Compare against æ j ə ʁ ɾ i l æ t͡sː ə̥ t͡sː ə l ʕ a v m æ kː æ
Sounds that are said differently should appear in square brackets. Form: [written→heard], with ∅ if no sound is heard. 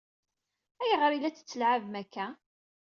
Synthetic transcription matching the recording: æ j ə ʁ ɾ i l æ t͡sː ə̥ t͡sː ə l ʕ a v m æ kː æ